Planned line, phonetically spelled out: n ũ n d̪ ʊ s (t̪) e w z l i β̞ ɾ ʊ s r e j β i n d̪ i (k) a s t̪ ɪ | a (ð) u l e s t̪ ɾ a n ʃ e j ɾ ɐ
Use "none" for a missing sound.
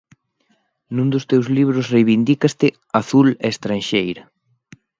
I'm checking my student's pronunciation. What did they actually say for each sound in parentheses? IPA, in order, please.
t̪, k, θ

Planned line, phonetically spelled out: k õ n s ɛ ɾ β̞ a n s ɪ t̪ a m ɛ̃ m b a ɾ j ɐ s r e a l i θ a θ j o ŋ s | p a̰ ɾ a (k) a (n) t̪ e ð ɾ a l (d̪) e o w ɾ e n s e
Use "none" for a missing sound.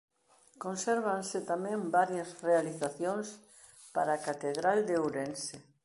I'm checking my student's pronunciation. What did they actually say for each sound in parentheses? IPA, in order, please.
k, none, d̪

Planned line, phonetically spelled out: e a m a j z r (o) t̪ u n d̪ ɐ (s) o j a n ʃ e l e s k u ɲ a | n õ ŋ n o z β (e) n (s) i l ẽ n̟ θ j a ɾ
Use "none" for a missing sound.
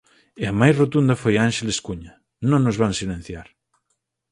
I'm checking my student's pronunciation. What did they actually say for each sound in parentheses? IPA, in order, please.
o, f, a, s

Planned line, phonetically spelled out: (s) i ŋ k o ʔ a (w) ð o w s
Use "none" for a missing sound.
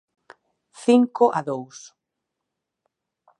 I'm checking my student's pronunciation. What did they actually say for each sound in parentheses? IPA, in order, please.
θ, none

